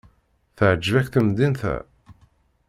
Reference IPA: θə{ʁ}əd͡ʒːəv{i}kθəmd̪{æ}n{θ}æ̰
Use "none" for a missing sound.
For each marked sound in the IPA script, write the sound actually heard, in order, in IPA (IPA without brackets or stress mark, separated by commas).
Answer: ʕ, æ, i, θ